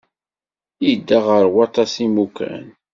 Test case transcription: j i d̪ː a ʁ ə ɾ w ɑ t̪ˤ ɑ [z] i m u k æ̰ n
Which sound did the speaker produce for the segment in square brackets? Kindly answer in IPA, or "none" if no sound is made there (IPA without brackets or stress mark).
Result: s